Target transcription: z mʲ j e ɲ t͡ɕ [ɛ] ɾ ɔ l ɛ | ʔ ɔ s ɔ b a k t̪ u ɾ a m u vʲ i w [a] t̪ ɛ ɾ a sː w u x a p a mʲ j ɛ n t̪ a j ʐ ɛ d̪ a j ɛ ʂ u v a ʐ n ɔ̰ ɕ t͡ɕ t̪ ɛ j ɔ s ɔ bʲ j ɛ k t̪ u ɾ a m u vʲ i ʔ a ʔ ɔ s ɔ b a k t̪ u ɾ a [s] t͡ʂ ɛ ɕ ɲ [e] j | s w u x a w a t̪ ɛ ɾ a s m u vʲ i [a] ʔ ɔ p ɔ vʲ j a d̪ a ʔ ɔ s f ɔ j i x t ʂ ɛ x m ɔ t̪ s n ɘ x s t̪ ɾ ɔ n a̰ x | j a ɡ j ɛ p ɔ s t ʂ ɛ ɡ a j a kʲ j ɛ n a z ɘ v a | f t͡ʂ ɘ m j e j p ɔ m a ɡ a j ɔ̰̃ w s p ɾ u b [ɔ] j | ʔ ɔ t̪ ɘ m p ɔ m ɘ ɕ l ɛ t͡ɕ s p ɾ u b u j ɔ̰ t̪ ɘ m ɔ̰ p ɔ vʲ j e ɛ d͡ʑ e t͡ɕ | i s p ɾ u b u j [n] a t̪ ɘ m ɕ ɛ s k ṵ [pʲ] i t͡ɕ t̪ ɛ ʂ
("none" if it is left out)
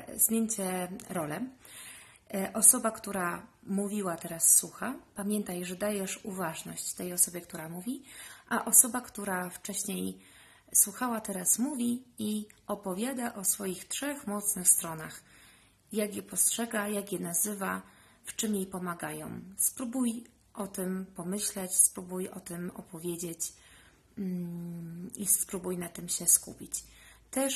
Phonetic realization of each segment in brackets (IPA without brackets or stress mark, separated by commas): ɛ, a, f, e, i, u, n, pʲ